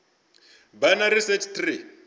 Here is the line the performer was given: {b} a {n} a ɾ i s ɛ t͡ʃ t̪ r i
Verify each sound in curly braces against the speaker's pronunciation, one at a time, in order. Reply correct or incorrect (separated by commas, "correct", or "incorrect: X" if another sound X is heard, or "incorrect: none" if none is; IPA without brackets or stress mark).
correct, correct